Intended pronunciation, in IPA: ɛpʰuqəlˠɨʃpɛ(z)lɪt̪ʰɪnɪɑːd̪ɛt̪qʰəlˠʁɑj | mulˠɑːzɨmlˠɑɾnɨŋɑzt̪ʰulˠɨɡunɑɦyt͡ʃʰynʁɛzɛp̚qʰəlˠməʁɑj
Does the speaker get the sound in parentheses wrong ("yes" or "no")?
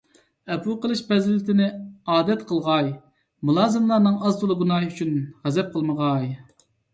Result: no